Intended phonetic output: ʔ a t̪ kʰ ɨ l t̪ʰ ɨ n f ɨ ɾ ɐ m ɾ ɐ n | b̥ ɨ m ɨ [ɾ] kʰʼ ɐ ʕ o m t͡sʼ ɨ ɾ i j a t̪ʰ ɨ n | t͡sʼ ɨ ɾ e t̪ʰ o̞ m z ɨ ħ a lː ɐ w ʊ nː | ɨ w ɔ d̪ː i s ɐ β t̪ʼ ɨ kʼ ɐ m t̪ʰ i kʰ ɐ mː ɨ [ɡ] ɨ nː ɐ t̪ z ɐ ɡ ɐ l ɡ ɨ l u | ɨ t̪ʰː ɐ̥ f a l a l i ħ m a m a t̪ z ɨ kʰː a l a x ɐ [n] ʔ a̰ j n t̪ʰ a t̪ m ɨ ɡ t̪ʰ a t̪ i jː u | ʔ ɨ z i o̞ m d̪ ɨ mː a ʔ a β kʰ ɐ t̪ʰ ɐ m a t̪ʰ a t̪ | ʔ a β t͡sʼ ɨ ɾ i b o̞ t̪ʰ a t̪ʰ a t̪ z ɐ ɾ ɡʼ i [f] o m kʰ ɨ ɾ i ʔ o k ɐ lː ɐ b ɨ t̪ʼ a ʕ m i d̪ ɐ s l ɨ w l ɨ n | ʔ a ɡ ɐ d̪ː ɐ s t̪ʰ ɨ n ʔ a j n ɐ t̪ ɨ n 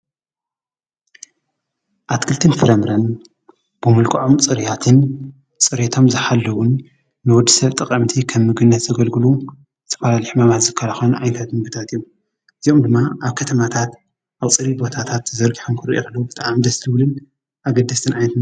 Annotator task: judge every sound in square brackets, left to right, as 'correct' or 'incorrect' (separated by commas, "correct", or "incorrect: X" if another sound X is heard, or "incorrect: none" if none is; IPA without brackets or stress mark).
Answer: incorrect: l, correct, correct, incorrect: ħ